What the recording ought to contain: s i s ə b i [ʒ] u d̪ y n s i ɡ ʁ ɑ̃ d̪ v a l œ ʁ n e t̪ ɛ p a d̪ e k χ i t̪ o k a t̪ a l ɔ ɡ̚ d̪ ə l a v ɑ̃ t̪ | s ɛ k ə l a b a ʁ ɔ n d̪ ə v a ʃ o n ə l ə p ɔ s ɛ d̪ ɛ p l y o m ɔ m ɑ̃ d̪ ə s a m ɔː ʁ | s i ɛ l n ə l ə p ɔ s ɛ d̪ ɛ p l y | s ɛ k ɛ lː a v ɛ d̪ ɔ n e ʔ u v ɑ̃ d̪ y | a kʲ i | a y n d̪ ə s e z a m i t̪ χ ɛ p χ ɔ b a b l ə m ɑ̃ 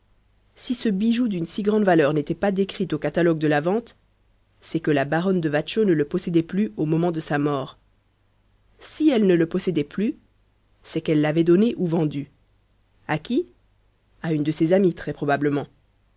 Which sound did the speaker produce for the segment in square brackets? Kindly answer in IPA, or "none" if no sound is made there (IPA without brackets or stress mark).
ʒ